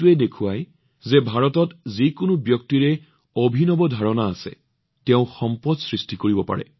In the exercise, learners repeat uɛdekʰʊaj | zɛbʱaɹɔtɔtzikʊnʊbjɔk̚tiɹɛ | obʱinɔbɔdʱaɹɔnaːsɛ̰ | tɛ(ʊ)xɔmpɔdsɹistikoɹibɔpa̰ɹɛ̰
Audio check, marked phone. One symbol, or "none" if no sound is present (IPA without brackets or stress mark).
ʊ̃